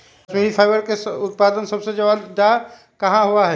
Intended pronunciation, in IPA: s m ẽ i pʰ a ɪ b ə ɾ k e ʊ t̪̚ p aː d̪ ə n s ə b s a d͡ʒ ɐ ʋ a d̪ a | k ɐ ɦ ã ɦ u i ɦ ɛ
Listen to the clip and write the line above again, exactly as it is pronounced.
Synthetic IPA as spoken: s m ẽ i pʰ a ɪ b ə ɾ k e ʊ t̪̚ p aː d̪ ə n s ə b s e d͡ʒ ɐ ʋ a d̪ a | k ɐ ɦ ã ɦ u a ɦ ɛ